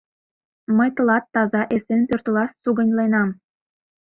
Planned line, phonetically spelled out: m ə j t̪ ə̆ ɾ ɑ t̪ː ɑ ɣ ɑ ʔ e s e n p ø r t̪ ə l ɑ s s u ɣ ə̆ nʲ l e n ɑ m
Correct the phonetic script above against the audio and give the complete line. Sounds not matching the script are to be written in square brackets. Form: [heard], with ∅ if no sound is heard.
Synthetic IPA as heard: m ə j t̪ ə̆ [l] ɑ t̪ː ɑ [z] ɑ ʔ e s e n p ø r t̪ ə l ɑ s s u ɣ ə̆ nʲ l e n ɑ m